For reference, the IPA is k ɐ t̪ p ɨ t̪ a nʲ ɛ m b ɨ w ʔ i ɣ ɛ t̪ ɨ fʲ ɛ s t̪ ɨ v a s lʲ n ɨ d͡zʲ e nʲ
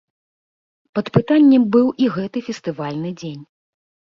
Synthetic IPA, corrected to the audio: p ɐ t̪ p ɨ t̪ a nʲː ɛ m b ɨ w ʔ i ɣ ɛ t̪ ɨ fʲ ɛ s t̪ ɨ v a lʲ n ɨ d͡zʲ e nʲ